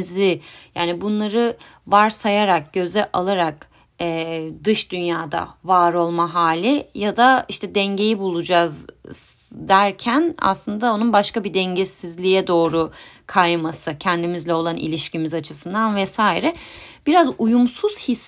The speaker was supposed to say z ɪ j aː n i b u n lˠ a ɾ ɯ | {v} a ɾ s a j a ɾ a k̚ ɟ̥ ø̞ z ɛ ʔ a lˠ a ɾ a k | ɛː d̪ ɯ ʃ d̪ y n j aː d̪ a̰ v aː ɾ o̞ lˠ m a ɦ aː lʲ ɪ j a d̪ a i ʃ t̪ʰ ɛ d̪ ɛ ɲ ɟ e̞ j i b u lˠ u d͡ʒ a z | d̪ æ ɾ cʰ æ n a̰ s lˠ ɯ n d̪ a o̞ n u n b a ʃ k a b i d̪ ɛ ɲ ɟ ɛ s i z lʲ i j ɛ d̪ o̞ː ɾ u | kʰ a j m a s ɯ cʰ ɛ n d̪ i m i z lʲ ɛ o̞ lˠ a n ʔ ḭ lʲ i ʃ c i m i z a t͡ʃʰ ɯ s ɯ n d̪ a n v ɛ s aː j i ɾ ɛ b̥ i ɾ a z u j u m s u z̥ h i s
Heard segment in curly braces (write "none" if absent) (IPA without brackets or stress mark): v